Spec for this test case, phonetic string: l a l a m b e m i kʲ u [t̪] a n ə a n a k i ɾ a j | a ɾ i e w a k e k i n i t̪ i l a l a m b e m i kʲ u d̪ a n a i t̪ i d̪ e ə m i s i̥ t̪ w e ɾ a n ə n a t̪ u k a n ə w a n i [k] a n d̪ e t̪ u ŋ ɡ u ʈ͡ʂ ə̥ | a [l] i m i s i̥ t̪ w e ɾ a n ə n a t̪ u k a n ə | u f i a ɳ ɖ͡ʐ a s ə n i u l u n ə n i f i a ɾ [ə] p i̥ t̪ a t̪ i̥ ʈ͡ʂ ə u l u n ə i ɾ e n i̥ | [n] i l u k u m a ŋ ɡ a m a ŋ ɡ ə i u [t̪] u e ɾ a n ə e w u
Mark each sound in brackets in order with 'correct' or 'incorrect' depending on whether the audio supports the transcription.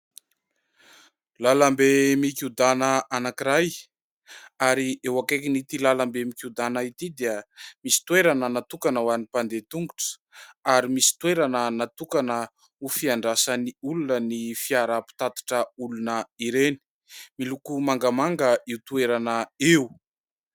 incorrect: d̪, incorrect: p, incorrect: ɾ, incorrect: a, incorrect: m, correct

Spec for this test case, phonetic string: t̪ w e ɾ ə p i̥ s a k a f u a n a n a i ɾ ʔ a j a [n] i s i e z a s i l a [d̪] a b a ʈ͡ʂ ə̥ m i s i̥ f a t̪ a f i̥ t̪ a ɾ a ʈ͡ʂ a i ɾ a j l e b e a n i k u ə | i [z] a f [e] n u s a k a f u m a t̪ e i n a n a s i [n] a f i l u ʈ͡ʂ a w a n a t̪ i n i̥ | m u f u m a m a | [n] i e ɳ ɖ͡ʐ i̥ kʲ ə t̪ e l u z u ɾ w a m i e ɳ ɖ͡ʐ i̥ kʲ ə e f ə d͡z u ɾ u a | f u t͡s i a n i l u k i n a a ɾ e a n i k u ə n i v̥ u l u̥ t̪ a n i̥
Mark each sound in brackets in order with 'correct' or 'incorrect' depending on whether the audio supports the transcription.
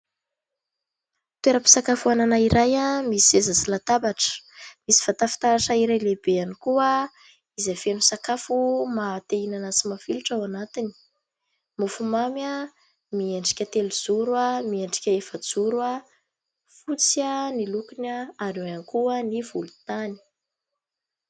incorrect: m, incorrect: t̪, correct, correct, incorrect: m, incorrect: m

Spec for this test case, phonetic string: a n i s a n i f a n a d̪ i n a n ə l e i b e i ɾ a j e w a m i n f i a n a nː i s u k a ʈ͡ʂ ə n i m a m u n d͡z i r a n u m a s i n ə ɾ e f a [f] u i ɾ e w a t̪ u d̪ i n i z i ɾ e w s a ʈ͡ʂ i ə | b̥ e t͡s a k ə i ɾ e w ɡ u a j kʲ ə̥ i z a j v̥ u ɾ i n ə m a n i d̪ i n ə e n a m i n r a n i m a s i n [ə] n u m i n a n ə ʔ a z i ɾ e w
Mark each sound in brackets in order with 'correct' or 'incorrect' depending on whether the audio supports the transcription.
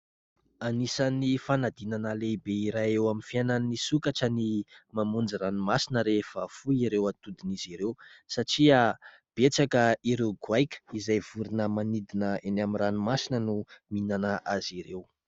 correct, correct

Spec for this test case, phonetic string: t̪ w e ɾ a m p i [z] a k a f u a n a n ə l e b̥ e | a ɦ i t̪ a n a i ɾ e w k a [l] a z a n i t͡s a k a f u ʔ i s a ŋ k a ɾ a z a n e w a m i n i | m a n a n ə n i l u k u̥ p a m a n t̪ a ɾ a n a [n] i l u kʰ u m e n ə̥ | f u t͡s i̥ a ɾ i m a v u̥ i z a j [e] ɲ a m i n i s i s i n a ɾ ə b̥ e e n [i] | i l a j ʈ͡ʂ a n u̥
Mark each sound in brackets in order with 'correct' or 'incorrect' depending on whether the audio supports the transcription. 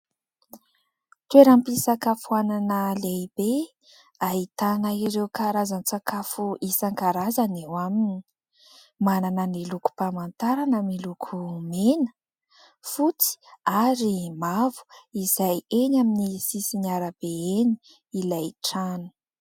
incorrect: s, incorrect: ɾ, incorrect: m, correct, correct

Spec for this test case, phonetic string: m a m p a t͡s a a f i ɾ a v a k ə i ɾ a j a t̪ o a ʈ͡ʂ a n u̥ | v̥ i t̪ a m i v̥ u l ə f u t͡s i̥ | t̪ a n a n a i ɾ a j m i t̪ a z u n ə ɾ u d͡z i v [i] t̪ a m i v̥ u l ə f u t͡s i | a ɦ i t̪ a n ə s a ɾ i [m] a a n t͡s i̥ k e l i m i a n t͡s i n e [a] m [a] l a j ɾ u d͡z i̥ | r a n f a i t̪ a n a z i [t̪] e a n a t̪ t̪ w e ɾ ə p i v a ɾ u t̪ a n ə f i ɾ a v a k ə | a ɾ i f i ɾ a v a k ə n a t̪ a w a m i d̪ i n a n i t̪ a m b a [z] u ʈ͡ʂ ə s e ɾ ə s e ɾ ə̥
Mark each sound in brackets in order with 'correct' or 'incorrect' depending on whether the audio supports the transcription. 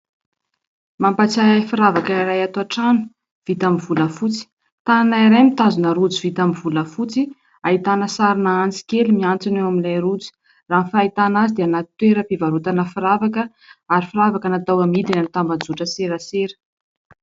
correct, incorrect: n, correct, incorrect: i, incorrect: d̪, incorrect: d͡z

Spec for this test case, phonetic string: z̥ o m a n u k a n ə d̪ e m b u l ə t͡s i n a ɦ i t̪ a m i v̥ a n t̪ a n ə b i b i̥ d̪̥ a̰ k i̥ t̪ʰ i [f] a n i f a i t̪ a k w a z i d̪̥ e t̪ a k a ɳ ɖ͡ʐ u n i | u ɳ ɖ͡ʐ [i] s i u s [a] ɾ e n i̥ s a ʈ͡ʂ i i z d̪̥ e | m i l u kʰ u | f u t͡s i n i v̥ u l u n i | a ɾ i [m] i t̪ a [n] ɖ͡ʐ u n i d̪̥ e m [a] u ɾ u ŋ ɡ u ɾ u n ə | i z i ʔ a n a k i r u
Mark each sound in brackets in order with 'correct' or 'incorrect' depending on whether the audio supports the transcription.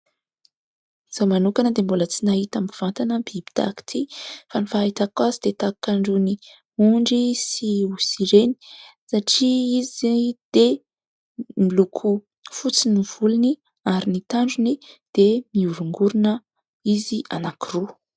correct, correct, incorrect: i, incorrect: n, incorrect: ɳ, incorrect: i

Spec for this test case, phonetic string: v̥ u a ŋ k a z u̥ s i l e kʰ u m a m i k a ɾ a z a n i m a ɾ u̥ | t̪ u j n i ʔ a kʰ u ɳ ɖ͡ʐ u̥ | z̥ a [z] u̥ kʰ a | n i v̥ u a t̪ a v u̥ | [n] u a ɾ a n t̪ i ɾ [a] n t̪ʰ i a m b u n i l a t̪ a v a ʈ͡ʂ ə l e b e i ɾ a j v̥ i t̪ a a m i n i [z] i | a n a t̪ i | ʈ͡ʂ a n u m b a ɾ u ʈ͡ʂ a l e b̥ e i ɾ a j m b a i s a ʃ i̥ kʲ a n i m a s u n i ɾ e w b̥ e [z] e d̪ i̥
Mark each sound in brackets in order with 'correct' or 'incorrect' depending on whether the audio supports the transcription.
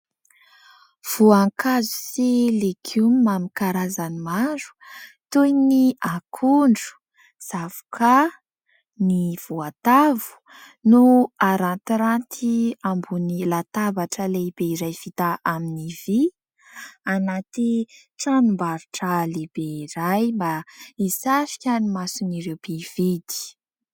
incorrect: v, correct, correct, incorrect: v, incorrect: v

